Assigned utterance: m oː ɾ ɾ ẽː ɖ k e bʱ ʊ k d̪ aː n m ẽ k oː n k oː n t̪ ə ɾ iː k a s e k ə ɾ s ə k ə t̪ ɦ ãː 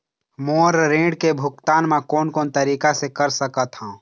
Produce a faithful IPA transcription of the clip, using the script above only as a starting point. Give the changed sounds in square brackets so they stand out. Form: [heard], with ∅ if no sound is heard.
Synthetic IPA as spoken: m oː ɾ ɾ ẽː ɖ k e bʱ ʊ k [t̪] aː n m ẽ k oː n k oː n t̪ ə ɾ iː k a s e k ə ɾ s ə k ə t̪ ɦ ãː